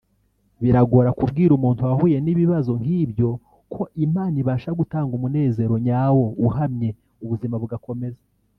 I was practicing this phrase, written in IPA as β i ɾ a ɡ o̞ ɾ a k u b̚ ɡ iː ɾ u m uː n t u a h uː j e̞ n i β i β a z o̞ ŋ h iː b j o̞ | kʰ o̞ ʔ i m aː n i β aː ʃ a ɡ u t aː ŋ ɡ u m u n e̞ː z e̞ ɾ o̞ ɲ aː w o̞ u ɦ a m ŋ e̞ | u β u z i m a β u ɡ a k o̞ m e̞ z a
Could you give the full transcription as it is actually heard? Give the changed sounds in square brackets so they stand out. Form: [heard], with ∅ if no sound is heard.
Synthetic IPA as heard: β i ɾ a ɡ o̞ ɾ a k u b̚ ɡ iː ɾ u m uː n t u a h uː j e̞ n i β i β a z o̞ ŋ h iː b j o̞ | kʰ o̞ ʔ i m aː n i β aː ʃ a ɡ u t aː ŋ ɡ u m u n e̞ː z e̞ ɾ o̞ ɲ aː w o̞ u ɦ a m [ɲ] e̞ | u β u z i m a β u ɡ a k o̞ m e̞ z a